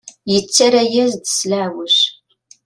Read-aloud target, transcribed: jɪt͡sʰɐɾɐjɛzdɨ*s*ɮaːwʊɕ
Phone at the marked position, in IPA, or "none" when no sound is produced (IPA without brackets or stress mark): s